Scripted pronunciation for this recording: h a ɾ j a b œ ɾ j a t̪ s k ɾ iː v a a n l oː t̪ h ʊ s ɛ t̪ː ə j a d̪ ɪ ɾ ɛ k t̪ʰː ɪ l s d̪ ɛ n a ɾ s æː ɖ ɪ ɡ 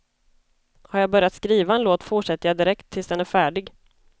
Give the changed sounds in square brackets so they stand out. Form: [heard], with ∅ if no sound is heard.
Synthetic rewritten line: h a ɾ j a b œ ɾ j a t̪ s k ɾ iː v a [ɛ] n l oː t̪ [f] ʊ [ʂ] ɛ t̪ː ə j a d̪ ɪ ɾ ɛ k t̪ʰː ɪ l s d̪ ɛ n [æ] ɾ [f] æː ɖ ɪ ɡ